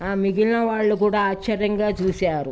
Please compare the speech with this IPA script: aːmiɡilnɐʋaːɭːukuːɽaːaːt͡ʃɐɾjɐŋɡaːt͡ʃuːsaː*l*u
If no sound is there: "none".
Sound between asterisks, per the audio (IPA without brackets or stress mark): ɾ